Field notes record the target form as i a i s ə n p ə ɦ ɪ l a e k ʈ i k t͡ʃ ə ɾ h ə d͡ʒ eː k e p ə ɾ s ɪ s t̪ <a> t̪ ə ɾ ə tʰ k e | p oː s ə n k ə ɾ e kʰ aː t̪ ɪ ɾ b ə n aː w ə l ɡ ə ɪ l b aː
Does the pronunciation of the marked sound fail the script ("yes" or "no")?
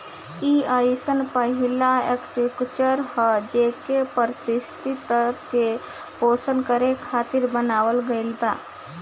yes